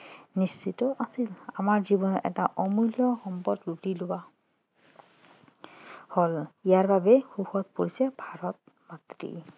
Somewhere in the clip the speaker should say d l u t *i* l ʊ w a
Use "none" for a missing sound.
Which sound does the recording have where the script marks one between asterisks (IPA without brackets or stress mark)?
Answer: i